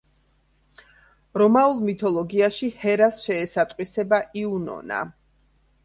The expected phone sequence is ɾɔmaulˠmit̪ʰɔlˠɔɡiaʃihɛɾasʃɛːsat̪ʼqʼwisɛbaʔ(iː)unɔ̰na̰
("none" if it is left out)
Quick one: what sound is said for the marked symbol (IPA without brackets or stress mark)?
i